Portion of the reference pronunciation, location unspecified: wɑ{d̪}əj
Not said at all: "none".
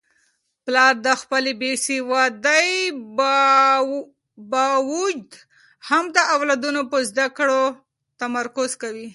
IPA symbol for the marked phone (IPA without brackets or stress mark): d̪